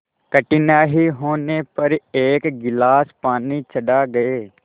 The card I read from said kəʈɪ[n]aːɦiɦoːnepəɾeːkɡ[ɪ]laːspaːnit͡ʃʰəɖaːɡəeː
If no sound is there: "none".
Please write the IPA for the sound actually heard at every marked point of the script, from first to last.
n, ɪ

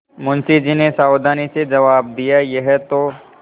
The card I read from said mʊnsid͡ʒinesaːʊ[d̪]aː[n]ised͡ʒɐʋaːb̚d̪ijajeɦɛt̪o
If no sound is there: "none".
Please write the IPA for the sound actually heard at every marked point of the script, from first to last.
d̪, n

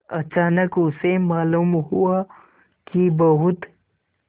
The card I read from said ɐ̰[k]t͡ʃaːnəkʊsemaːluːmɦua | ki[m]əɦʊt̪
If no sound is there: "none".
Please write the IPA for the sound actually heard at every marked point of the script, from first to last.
none, b

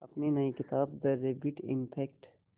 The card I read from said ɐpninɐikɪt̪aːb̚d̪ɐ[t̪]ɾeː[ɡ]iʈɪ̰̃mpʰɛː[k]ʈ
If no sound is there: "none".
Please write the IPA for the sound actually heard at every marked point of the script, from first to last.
none, b, k

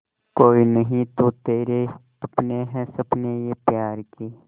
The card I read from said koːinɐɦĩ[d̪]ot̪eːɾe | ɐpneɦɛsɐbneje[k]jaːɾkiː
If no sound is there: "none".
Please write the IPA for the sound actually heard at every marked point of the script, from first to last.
t̪, p

